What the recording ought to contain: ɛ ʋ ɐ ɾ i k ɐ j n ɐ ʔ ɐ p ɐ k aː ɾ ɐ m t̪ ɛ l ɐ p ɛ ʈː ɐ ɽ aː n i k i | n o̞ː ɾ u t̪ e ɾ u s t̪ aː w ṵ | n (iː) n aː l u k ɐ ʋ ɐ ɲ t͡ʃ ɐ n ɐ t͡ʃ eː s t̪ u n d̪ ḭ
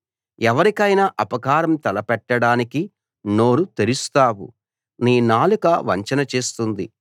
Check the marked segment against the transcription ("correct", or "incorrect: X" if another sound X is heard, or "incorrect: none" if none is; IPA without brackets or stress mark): correct